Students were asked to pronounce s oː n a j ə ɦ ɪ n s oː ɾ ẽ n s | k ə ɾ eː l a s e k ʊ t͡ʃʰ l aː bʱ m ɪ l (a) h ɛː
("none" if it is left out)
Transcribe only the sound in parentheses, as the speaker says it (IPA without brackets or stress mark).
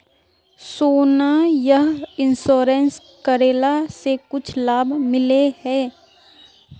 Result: e